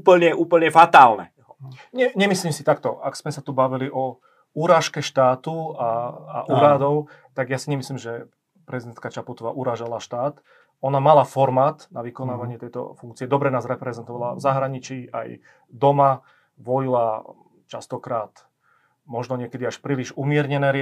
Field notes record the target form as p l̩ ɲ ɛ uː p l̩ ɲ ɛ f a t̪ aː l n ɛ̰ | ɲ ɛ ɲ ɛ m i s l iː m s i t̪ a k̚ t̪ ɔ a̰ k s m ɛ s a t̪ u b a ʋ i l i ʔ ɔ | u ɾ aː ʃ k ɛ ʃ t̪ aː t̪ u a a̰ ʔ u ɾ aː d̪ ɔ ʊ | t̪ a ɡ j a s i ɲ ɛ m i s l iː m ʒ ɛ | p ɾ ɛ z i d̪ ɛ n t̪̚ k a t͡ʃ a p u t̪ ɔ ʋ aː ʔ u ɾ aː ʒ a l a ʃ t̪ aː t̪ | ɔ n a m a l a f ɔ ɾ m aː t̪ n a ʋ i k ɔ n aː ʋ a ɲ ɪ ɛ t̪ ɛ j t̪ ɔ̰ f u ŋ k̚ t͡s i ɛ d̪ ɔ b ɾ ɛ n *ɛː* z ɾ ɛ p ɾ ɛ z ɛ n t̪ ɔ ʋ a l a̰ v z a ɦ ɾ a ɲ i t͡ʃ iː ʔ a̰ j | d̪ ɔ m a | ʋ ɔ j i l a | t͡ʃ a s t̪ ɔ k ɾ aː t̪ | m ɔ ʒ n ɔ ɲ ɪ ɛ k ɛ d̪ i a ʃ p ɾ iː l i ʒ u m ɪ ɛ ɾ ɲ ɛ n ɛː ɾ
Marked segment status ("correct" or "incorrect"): incorrect